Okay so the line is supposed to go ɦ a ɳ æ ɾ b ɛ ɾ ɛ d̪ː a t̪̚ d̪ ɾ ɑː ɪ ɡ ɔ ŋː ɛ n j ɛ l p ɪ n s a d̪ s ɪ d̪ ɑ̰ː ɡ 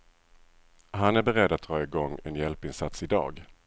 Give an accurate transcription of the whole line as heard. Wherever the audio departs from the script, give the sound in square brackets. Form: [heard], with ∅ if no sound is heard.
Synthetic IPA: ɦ a [n] æ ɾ b ɛ ɾ ɛ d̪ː a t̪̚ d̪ ɾ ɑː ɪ ɡ ɔ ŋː ɛ n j ɛ l p ɪ n s a [t̪] s ɪ d̪ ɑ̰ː ɡ